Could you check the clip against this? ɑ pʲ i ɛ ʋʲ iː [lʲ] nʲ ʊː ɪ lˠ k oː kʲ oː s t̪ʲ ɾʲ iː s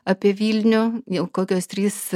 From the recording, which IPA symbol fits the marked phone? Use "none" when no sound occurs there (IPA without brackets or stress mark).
lʲ